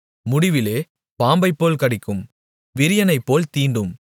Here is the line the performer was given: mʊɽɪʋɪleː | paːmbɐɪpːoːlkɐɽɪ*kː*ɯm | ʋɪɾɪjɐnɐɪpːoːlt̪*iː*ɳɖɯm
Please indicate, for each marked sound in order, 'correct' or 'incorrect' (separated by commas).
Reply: correct, correct